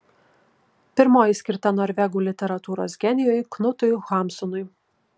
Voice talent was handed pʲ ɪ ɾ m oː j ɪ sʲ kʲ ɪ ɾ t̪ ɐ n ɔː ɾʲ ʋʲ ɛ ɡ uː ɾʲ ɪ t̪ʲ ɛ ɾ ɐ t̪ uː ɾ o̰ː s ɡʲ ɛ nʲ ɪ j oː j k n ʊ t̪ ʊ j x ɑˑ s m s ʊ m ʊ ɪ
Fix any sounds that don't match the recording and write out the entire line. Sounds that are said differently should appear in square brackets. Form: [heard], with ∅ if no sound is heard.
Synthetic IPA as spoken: pʲ ɪ ɾ m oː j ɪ sʲ kʲ ɪ ɾ t̪ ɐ n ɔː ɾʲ ʋʲ ɛ ɡ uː [lʲ] ɪ t̪ʲ ɛ ɾ ɐ t̪ uː ɾ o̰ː s ɡʲ ɛ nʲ ɪ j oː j k n ʊ t̪ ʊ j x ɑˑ [∅] m s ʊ [n] ʊ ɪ